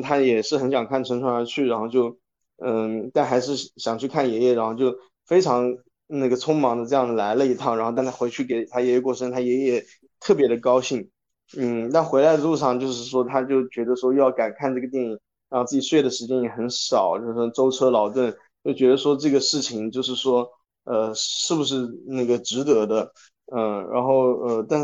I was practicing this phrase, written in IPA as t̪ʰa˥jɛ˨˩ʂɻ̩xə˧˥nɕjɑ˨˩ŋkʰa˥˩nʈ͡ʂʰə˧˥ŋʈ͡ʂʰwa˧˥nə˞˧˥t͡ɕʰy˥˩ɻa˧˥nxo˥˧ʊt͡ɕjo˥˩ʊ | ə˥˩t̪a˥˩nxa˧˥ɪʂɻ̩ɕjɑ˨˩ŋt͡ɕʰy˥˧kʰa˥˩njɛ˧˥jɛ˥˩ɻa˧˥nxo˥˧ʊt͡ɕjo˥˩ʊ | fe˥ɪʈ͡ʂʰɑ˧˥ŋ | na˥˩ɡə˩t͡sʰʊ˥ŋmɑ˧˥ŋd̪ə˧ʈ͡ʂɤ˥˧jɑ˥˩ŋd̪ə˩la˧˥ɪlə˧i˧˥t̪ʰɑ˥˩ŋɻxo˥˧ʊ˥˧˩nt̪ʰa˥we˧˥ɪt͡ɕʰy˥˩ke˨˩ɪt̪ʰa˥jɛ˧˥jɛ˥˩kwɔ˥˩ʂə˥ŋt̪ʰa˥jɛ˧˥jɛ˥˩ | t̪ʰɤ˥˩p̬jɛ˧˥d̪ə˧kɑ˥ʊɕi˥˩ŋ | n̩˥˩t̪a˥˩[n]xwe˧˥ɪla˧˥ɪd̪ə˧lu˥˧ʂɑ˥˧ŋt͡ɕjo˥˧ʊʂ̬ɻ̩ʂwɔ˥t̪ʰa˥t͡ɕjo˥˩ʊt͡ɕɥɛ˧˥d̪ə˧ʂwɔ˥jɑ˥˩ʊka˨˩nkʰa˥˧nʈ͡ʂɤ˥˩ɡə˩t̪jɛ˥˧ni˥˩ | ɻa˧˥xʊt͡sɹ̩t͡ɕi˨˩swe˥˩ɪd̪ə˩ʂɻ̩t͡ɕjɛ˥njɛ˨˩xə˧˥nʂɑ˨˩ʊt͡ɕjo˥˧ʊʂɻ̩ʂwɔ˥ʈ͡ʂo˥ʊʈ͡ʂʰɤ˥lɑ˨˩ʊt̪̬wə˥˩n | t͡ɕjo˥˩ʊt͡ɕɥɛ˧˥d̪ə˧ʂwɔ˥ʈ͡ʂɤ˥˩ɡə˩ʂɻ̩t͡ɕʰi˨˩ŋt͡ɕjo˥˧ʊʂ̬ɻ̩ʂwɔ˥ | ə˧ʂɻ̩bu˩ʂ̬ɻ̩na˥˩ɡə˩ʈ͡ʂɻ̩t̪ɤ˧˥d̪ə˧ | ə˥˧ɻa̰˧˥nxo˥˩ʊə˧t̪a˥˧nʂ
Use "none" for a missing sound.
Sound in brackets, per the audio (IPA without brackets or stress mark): n